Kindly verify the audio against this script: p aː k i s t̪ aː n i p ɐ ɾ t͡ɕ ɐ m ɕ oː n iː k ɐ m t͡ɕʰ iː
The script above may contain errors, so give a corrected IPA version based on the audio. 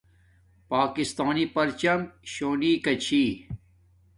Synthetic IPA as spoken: p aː k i s t̪ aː n i p ɐ ɾ t͡ɕ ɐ m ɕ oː n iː k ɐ t͡ɕʰ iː